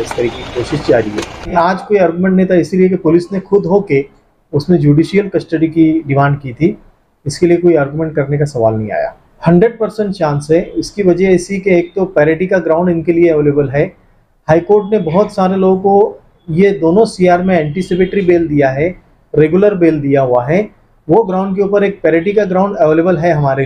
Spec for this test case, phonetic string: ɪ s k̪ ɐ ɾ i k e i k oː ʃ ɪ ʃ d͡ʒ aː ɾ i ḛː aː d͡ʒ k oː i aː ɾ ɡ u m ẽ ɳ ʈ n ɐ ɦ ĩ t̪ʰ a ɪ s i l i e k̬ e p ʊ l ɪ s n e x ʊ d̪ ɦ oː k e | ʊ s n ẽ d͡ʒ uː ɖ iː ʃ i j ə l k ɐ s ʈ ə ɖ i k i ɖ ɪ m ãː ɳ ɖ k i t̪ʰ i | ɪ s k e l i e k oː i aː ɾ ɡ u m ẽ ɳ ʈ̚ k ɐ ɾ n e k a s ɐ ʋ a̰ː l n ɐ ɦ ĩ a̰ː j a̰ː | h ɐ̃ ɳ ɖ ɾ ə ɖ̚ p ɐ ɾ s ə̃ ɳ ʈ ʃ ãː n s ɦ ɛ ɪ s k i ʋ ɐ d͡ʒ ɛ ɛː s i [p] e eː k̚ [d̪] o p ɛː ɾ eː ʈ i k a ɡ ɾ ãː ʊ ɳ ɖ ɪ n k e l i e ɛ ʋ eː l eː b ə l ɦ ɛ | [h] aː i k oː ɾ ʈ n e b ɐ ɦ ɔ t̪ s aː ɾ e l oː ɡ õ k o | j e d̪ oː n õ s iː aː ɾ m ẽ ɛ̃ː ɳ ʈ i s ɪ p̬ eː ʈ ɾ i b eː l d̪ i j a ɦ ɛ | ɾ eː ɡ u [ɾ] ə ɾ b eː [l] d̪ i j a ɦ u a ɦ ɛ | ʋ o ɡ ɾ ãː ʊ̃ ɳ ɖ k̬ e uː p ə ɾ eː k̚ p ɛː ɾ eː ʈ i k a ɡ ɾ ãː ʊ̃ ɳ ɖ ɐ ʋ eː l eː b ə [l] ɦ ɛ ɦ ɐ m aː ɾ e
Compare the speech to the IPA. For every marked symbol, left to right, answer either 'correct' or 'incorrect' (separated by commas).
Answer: incorrect, incorrect, correct, incorrect, correct, correct